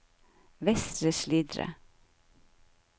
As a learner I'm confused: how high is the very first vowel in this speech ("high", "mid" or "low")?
mid